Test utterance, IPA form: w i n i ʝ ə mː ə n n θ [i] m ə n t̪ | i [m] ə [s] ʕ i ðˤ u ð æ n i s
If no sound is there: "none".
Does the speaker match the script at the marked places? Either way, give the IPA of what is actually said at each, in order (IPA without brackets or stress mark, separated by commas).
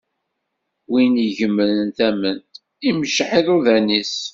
æ, m, ʃ